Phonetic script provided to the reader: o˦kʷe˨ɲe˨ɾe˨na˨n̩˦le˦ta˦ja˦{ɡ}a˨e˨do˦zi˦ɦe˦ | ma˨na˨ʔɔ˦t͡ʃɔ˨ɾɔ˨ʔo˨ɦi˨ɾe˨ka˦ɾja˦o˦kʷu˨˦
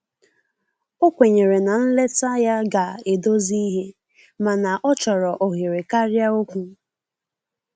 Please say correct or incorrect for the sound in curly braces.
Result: correct